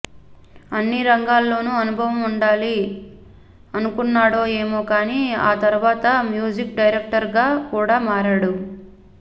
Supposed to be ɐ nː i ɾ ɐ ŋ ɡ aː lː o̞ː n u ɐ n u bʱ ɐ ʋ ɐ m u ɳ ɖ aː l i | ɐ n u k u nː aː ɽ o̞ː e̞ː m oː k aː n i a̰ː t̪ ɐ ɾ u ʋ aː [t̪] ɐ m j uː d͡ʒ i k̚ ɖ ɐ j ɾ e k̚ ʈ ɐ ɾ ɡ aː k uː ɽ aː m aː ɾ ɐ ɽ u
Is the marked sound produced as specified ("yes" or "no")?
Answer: yes